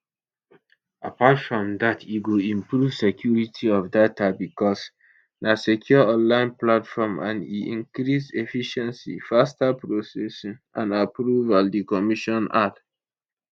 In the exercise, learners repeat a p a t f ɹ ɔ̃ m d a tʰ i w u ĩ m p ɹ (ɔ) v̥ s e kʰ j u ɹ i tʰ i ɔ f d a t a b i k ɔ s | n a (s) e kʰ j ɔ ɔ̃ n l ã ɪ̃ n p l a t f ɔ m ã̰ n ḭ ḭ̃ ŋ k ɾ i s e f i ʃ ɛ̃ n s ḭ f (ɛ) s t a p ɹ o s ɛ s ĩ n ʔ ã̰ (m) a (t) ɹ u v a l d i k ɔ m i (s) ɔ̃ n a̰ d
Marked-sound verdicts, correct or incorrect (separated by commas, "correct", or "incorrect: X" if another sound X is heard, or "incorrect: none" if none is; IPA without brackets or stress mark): incorrect: u, correct, incorrect: a, incorrect: n, incorrect: p, incorrect: ʃ